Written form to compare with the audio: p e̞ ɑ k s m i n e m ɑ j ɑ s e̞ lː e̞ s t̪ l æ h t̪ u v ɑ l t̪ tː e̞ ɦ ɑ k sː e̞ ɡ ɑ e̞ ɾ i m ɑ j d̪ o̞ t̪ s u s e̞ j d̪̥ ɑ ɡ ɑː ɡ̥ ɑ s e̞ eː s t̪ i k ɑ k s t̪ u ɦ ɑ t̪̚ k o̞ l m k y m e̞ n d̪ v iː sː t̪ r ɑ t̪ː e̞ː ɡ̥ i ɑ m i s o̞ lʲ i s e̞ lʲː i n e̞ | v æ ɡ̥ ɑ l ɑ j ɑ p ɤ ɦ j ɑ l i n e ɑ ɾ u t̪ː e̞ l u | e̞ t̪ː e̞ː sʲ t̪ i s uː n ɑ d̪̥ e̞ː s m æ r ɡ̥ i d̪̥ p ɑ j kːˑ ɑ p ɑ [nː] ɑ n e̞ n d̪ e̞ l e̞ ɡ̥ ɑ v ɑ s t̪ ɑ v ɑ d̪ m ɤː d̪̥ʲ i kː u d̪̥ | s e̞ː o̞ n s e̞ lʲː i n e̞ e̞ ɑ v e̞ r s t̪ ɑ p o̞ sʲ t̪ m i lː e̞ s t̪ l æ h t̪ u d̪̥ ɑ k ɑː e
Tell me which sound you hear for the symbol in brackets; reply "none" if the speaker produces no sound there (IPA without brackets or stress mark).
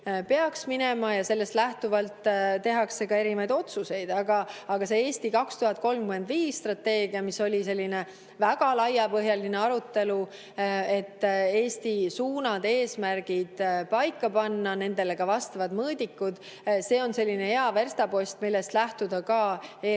nː